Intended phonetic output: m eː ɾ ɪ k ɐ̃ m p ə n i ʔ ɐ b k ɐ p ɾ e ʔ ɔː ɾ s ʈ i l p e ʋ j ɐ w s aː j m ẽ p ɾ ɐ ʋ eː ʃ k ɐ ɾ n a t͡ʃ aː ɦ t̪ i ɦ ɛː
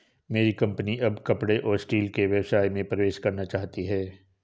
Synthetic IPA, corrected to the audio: m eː ɾ i k ɐ̃ m p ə n i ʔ ɐ b k ɐ p ɽ e ʔ ɔː ɾ s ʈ iː l k e ʋ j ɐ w s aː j m ẽ p ɾ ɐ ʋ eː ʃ k ɐ ɾ n a t͡ʃ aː ɦ t̪ i ɦ ɛː